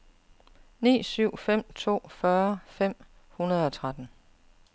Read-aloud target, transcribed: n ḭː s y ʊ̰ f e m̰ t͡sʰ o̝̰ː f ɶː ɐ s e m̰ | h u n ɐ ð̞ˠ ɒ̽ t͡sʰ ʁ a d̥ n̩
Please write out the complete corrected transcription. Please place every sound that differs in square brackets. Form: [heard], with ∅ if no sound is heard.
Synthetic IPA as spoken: n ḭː s y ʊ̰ f e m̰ t͡sʰ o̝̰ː f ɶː ɐ [f] e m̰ | h u n ɐ ð̞ˠ ɒ̽ t͡sʰ ʁ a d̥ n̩

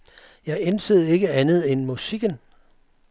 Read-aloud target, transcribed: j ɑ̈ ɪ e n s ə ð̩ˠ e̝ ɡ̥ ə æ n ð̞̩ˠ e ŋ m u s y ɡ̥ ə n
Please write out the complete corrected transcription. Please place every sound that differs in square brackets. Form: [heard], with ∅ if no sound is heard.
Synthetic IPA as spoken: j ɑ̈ ɪ e n s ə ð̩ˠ e̝ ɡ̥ ə æ n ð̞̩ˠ e [n] m u s [i] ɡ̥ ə n

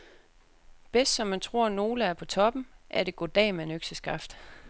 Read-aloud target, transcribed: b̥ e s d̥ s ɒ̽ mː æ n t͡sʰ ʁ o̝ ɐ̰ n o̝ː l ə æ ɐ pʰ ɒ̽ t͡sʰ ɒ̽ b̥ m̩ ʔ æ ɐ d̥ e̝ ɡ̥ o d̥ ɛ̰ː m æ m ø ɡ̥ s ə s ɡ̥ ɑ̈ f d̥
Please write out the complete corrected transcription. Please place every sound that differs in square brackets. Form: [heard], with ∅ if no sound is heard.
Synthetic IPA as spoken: b̥ e s d̥ s ɒ̽ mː æ n t͡sʰ ʁ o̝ ɐ̰ n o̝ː l ə æ ɐ pʰ ɒ̽ t͡sʰ ɒ̽ b̥ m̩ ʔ æ ɐ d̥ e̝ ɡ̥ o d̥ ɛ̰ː m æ [n] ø ɡ̥ s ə s ɡ̥ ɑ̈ f d̥

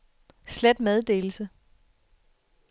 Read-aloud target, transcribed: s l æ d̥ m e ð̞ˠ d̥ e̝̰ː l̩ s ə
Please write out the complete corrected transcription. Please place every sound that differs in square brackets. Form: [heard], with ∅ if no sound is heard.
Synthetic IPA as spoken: s l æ d̥ m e ð̞ˠ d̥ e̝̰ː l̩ s ə

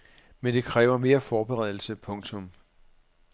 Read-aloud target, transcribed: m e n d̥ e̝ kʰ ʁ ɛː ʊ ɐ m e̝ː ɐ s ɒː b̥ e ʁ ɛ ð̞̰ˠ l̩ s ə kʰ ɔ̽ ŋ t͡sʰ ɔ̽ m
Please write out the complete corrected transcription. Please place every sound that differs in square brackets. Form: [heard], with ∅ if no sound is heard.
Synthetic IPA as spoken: m e n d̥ e̝ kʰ ʁ ɛː ʊ ɐ m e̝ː ɐ [f] ɒː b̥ e ʁ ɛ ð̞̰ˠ l̩ s ə [pʰ] ɔ̽ ŋ t͡sʰ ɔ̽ m

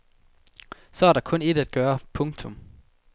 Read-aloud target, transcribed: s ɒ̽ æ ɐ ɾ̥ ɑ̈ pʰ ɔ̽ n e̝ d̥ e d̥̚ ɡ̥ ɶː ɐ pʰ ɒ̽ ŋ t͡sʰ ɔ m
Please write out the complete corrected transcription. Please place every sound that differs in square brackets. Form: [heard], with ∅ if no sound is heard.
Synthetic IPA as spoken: s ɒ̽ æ ɐ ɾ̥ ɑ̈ [kʰ] ɔ̽ n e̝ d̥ [æ] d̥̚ ɡ̥ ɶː ɐ pʰ [ɔ̽] ŋ t͡sʰ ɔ m

